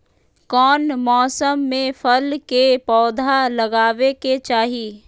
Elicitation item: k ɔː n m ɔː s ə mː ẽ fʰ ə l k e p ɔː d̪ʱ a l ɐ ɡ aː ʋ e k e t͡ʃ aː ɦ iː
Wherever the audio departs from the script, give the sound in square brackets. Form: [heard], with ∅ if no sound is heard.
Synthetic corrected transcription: k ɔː n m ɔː s ə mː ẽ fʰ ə l k e p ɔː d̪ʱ a l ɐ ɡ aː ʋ e k e t͡ʃ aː ɦ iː